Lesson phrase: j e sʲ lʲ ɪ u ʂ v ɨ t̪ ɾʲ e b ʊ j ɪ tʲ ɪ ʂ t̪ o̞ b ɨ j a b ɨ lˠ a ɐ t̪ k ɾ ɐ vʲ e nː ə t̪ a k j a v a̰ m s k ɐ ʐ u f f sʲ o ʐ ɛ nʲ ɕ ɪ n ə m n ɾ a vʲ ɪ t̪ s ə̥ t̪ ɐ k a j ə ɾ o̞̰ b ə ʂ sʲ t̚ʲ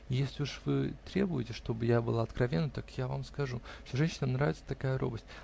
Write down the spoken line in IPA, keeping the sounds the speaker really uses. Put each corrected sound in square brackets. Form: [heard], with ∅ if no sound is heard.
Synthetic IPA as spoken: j e sʲ lʲ ɪ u ʂ v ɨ t̪ ɾʲ e b ʊ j ɪ tʲ ɪ ʂ t̪ o̞ b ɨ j a b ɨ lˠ a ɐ t̪ k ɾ ɐ vʲ e nː ə t̪ a k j a v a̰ m s k ɐ ʐ u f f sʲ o ʐ ɛ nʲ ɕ ɪ n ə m n ɾ a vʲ ɪ t̪ s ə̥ t̪ ɐ k a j ə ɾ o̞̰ b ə [∅] sʲ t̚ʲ